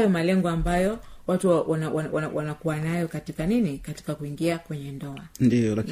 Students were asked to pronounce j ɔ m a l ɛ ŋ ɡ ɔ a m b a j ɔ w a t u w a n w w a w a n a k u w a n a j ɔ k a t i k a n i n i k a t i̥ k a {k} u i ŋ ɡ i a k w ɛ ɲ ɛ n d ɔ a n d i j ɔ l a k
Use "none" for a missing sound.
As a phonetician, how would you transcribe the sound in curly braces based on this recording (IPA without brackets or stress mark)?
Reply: k